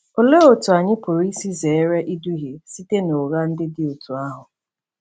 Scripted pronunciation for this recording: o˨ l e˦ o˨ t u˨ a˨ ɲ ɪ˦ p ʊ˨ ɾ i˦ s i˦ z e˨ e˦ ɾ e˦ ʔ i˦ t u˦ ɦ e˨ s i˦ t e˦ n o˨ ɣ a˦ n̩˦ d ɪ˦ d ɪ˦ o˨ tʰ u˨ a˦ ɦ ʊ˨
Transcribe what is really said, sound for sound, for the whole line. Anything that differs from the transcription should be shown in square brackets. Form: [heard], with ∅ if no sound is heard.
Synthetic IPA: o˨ l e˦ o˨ t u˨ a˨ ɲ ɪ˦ p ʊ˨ ɾ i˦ s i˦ z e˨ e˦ ɾ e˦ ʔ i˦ [d] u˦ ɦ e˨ s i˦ t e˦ n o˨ ɣ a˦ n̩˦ d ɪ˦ d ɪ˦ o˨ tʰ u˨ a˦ ɦ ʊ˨